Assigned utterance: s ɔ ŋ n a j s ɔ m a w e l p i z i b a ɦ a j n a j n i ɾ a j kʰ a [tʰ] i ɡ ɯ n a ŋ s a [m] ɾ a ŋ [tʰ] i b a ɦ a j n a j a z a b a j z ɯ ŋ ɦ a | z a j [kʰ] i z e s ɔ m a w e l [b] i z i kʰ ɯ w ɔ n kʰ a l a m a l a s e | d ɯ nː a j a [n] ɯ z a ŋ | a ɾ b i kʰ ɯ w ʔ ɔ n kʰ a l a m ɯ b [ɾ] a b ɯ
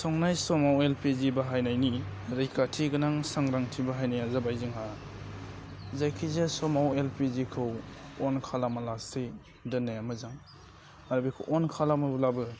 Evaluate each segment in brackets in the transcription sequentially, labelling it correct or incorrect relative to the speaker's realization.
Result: correct, incorrect: ŋ, correct, correct, incorrect: p, incorrect: m, incorrect: l

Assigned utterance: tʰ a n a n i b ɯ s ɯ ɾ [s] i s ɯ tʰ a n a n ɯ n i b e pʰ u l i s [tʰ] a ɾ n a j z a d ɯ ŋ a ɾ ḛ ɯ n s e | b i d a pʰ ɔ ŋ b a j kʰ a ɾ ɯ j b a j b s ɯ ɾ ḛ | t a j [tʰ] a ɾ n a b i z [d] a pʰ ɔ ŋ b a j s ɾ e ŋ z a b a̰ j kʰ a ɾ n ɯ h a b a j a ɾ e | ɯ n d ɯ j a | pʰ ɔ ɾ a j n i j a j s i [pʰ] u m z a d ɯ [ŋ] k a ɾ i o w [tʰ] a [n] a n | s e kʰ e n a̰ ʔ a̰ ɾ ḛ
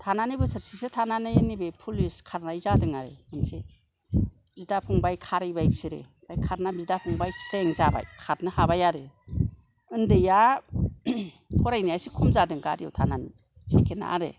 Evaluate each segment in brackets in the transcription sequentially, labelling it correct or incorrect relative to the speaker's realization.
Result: correct, incorrect: kʰ, incorrect: kʰ, correct, incorrect: kʰ, correct, correct, correct

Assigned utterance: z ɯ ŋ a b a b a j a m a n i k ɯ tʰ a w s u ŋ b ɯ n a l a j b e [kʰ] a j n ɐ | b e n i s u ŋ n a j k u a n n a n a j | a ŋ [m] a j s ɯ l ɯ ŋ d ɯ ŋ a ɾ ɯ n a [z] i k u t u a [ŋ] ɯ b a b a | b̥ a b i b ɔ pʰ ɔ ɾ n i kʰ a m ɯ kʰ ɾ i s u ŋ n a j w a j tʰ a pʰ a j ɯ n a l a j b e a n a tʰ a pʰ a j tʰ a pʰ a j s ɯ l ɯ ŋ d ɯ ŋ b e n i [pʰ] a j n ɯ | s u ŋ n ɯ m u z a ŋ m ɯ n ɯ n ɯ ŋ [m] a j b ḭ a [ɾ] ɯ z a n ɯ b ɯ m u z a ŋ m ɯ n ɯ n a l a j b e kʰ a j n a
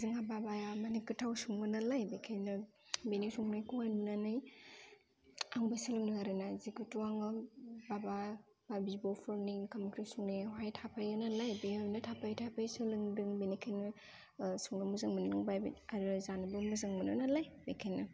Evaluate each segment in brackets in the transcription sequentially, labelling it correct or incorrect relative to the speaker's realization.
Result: correct, incorrect: b, correct, correct, incorrect: kʰ, incorrect: b, correct

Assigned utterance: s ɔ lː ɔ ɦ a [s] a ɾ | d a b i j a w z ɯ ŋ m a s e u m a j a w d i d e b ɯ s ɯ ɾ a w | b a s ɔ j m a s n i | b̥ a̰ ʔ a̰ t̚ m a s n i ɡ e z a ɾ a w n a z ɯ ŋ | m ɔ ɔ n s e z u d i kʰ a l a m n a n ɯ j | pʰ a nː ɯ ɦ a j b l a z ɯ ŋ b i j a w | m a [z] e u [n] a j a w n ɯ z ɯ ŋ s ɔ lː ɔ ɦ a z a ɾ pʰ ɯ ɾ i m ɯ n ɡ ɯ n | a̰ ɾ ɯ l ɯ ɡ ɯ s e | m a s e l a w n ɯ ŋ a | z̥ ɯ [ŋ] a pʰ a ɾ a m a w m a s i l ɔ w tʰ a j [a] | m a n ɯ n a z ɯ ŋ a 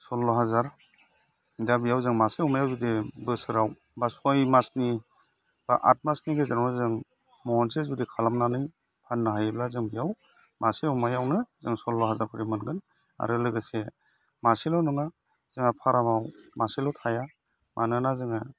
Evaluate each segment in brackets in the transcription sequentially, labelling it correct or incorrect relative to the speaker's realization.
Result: incorrect: z, incorrect: s, incorrect: m, correct, correct

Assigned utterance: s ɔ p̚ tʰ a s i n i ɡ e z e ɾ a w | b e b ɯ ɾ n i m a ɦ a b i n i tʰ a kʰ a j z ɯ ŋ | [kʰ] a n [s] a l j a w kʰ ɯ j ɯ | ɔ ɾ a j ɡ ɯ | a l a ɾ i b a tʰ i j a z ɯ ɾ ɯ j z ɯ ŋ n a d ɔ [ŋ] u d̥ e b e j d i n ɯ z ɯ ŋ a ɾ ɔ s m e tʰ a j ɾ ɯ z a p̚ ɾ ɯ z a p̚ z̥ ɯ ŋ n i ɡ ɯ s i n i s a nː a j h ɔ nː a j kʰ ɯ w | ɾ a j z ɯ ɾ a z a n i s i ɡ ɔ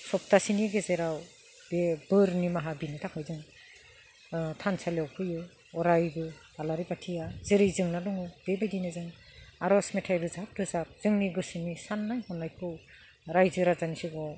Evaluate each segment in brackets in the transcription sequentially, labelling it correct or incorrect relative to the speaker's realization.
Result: incorrect: tʰ, correct, correct

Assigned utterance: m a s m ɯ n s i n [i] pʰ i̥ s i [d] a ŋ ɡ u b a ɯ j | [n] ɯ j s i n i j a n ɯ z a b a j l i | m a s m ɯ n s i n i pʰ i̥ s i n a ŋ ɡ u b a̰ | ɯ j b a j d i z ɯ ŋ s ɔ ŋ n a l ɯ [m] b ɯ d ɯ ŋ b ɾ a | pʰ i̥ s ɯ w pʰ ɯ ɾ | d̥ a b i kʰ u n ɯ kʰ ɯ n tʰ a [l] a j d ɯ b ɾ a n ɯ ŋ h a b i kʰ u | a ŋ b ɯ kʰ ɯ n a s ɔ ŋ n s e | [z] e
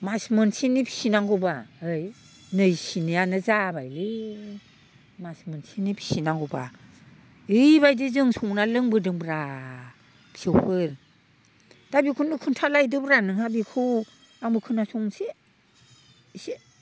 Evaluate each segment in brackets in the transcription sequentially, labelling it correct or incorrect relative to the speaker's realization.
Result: correct, incorrect: n, correct, incorrect: ŋ, correct, incorrect: s

